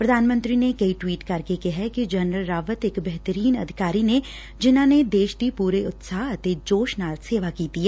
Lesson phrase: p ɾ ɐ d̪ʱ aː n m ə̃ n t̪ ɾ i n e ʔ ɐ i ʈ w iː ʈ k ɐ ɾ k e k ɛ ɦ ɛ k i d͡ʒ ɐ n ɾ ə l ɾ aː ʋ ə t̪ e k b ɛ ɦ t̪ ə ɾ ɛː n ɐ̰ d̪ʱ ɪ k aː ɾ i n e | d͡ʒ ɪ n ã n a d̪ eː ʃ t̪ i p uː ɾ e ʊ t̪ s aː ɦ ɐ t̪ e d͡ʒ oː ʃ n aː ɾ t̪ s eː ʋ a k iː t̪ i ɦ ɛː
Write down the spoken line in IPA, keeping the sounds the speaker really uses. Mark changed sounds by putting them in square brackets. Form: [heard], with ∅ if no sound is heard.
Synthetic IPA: p ɾ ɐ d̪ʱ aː n m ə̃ n t̪ ɾ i n e [k] ɐ i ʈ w iː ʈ k ɐ ɾ k e k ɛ ɦ ɛ k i d͡ʒ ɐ n ɾ ə l ɾ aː ʋ ə t̪ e k b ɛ ɦ t̪ ə ɾ [iː] n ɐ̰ d̪ʱ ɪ k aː ɾ i n e | d͡ʒ ɪ n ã n [e] d̪ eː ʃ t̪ i p uː ɾ e ʊ t̪ s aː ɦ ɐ t̪ e d͡ʒ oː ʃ n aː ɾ t̪ s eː ʋ a k iː t̪ i ɦ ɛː